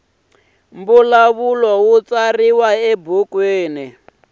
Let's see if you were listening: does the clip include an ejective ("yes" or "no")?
no